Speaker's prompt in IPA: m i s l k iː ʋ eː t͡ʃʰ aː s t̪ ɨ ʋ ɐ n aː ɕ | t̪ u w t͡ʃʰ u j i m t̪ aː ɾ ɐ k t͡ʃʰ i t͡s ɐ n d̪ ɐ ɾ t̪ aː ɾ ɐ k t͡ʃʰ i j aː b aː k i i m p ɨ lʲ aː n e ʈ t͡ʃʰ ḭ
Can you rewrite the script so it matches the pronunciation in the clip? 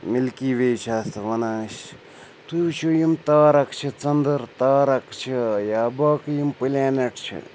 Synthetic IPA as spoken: m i l k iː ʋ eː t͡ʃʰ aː s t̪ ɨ ʋ ɐ n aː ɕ | t̪ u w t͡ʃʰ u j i m t̪ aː ɾ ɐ k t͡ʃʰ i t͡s ɐ n d̪ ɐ ɾ t̪ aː ɾ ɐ k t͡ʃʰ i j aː b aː k j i m p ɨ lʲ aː n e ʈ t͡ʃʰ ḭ